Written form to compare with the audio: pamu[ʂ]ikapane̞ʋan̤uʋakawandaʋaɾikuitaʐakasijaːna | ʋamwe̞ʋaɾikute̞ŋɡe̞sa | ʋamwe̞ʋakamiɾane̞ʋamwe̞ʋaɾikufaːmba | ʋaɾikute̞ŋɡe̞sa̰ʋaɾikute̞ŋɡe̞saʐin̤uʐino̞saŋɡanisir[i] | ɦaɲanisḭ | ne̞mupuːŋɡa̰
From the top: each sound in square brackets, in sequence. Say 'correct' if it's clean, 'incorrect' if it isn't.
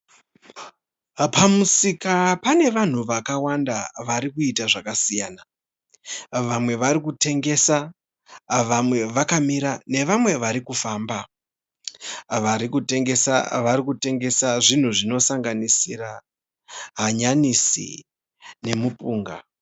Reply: incorrect, incorrect

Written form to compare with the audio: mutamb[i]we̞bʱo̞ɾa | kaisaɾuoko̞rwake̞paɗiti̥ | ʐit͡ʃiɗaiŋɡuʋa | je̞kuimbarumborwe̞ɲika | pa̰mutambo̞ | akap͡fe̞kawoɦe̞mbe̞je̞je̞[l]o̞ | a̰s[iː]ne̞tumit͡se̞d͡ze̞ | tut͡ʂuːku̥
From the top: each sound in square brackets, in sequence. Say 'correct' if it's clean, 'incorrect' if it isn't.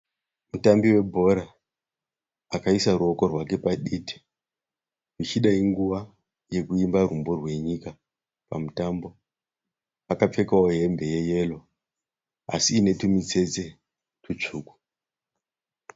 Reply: correct, correct, correct

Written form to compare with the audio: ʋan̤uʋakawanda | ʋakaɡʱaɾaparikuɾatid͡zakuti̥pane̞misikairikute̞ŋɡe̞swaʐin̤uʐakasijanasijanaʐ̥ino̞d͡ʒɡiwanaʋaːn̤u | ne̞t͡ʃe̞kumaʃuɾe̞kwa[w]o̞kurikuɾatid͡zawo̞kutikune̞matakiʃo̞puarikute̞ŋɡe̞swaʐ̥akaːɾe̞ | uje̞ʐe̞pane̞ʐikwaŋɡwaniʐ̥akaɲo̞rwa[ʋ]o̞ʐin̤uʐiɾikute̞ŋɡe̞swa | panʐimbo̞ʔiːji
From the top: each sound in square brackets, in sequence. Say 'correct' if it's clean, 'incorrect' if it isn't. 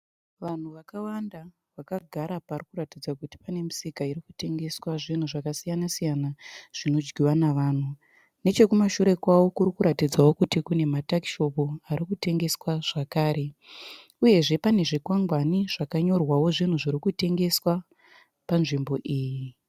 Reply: correct, incorrect

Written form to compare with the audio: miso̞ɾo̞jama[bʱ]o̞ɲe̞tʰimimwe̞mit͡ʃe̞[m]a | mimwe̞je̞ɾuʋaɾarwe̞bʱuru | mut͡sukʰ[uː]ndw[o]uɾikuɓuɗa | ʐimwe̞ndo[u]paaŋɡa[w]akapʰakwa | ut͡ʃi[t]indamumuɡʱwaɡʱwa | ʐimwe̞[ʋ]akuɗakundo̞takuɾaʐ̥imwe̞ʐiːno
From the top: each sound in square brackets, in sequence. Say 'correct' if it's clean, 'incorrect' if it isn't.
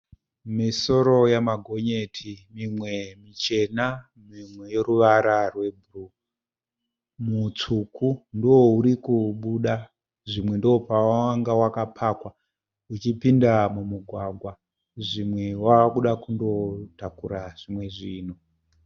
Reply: incorrect, incorrect, incorrect, correct, incorrect, correct, incorrect, incorrect

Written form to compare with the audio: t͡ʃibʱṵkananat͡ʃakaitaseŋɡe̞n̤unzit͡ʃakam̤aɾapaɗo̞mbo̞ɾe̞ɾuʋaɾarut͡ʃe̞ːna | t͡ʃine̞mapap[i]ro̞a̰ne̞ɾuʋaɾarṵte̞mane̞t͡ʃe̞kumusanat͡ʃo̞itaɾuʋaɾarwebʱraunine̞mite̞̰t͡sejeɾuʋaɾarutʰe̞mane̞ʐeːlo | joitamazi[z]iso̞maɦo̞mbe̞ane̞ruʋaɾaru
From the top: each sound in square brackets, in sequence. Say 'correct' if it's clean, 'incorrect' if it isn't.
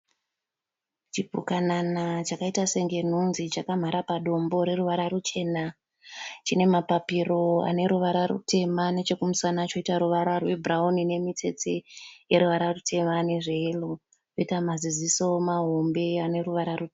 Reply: correct, correct

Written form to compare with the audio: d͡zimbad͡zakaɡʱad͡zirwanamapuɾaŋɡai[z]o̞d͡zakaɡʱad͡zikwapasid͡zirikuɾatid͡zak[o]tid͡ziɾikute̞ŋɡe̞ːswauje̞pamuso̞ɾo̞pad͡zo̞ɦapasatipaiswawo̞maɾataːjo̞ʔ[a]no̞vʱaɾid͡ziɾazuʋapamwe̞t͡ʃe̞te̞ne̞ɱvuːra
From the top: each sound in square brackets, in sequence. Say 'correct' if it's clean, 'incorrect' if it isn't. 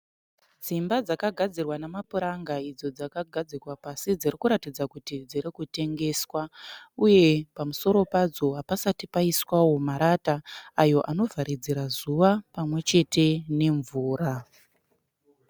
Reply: incorrect, incorrect, correct

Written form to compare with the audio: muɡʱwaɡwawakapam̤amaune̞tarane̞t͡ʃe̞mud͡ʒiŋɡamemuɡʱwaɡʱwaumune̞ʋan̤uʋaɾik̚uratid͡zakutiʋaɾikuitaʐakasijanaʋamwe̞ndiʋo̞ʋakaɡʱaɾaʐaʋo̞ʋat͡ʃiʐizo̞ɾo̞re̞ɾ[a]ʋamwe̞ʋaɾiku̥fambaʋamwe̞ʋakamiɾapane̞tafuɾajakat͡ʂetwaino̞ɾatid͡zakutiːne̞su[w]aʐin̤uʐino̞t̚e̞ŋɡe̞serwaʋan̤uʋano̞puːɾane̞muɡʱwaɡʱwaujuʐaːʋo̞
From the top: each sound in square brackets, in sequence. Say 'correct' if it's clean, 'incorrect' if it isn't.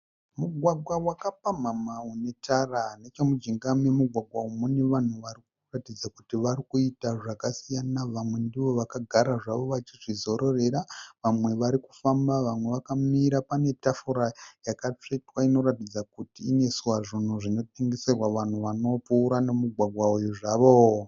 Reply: correct, correct

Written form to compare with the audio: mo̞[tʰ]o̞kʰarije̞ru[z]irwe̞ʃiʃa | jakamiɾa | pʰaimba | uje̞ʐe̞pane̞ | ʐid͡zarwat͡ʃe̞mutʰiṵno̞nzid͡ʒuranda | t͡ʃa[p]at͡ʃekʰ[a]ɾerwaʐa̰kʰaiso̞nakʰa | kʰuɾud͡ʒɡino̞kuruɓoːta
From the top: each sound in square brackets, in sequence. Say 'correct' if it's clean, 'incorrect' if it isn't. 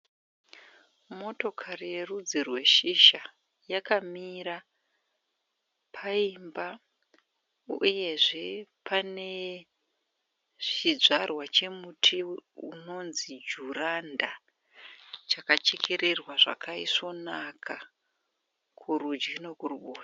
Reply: incorrect, incorrect, incorrect, incorrect

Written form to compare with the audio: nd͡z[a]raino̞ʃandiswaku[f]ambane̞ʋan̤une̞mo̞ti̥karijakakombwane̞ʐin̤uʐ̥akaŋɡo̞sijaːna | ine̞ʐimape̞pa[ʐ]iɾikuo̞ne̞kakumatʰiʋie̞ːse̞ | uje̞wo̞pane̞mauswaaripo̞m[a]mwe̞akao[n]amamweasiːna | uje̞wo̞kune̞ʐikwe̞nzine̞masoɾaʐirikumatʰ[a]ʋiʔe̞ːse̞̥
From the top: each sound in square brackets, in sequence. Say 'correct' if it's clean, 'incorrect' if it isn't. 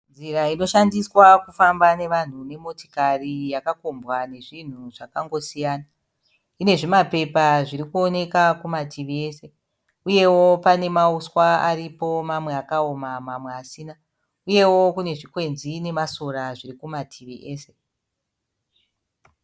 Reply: incorrect, correct, correct, correct, incorrect, incorrect

